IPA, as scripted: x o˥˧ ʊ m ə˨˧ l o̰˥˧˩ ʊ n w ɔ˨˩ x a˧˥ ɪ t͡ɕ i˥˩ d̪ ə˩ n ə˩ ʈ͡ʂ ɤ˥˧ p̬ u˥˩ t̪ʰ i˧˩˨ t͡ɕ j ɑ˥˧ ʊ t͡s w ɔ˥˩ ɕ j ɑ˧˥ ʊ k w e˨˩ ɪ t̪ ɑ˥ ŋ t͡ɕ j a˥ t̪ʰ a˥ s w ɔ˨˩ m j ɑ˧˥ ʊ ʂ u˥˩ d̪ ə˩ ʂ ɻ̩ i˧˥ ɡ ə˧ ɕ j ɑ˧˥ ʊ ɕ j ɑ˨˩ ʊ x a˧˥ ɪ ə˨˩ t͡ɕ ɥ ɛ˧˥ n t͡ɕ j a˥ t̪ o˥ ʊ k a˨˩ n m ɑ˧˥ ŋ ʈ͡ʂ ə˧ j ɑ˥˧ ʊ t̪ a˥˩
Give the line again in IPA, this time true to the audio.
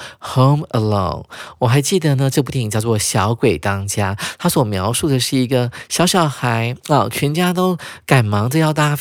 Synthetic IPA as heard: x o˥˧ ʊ m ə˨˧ l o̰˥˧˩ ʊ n w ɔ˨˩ x a˧˥ ɪ t͡ɕ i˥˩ d̪ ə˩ n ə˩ ʈ͡ʂ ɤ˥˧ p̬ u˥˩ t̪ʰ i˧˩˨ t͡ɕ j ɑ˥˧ ʊ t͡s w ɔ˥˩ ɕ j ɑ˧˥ ʊ k w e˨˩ ɪ t̪ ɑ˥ ŋ t͡ɕ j a˥ t̪ʰ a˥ s w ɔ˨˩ m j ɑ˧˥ ʊ ʂ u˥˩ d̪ ə˩ ʂ ɻ̩ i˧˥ ɡ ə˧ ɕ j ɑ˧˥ ʊ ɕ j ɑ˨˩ ʊ x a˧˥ ɪ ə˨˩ t͡ɕʰ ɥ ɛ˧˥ n t͡ɕ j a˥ t̪ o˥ ʊ k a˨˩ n m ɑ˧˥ ŋ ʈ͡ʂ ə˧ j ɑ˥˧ ʊ t̪ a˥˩